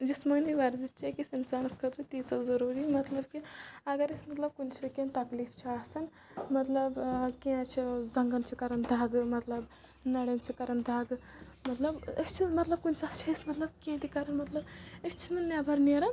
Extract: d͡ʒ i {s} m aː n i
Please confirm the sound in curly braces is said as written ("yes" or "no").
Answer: yes